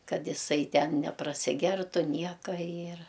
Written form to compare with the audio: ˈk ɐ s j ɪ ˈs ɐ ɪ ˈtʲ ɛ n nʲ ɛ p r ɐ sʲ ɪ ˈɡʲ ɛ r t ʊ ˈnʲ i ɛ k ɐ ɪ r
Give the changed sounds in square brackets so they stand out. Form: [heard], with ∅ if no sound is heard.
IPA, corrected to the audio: ˈk ɐ [t] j ɪ ˈs ɐ ɪ ˈtʲ ɛ n nʲ ɛ p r ɐ sʲ ɪ ˈɡʲ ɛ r t ʊ ˈnʲ i ɛ k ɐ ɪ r